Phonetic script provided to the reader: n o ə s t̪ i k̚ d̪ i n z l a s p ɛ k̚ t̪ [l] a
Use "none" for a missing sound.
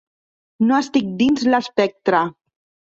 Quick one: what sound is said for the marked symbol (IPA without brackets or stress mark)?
ɾ